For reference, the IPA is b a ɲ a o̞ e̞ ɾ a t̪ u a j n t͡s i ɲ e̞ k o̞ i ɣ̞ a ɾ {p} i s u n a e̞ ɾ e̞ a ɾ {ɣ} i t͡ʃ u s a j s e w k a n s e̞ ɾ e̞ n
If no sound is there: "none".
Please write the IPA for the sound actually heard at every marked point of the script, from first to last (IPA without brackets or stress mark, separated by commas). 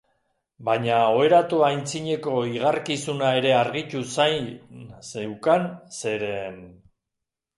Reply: k, ɣ